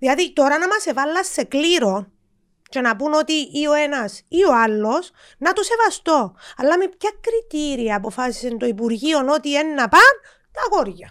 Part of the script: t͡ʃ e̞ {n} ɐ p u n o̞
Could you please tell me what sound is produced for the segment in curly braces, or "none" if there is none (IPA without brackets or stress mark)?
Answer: n